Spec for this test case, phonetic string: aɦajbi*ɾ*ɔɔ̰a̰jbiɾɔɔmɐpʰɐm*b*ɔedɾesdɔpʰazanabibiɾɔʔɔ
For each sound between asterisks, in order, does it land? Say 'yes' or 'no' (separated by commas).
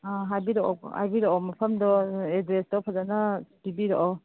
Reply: yes, no